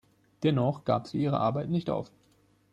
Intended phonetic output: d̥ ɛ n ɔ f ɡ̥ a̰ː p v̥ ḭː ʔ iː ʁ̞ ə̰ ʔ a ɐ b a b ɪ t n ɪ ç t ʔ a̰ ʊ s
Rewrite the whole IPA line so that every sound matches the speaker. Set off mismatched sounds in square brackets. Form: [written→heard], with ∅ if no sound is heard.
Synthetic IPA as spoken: d̥ ɛ n ɔ [f→χ] ɡ̥ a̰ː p [v̥→z̥] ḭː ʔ iː ʁ̞ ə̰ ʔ a ɐ b a [b→∅] ɪ t n ɪ ç t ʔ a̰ ʊ [s→f]